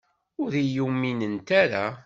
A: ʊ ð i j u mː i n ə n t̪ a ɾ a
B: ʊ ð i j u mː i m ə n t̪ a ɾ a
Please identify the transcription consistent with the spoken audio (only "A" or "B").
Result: A